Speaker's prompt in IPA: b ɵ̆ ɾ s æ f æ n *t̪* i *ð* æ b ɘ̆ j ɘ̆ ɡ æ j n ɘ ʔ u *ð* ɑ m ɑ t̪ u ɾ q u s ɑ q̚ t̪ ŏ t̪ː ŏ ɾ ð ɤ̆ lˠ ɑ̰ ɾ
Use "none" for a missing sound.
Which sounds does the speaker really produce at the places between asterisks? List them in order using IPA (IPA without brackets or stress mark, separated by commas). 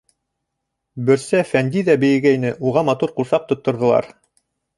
d̪, ð, ʁ